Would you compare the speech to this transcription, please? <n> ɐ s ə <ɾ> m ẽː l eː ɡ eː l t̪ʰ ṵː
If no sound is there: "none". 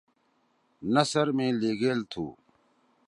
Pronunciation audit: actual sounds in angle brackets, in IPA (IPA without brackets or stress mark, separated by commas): n, ɾ